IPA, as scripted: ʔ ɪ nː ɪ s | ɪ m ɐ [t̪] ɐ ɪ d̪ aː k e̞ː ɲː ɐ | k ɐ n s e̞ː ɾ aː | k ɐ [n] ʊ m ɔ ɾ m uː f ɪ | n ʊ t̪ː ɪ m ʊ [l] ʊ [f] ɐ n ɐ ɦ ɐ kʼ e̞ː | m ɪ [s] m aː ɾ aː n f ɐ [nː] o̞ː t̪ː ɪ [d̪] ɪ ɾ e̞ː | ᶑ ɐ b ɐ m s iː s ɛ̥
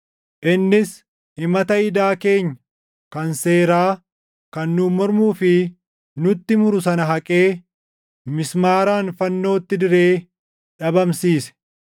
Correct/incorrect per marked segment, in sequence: correct, incorrect: nː, incorrect: ɾ, incorrect: s, correct, correct, correct

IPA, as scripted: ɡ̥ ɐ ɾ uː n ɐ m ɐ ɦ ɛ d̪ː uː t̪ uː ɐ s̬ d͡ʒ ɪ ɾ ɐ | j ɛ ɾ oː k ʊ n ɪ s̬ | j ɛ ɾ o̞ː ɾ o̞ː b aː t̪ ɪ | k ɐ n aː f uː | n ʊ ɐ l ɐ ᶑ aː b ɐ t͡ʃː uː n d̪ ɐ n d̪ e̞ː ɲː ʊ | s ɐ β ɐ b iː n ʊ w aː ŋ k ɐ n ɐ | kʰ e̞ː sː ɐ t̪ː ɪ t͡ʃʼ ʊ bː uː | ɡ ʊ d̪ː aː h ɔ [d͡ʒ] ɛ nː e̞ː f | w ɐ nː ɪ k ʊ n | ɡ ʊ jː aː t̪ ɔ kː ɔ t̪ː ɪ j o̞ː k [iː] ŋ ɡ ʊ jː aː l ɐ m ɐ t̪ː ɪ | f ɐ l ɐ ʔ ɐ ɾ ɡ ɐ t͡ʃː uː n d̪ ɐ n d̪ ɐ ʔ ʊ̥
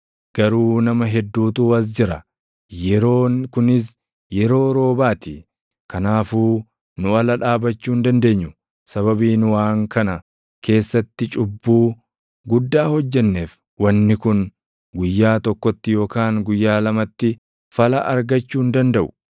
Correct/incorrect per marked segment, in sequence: incorrect: d͡ʒː, incorrect: aː

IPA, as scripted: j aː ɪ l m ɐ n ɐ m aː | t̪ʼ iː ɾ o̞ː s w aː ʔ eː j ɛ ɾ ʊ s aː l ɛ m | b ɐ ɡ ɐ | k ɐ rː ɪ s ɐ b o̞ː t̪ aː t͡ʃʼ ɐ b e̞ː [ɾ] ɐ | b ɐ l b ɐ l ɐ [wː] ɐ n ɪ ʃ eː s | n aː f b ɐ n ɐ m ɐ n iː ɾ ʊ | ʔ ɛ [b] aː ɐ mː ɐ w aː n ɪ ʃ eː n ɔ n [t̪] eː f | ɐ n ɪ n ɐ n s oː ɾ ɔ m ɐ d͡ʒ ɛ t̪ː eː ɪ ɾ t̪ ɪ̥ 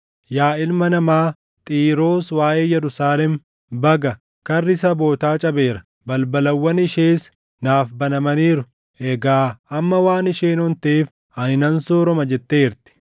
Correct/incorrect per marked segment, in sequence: correct, correct, incorrect: ɡ, correct

